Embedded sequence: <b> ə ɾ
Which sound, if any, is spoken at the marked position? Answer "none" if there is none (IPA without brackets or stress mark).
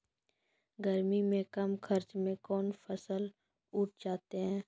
ɡ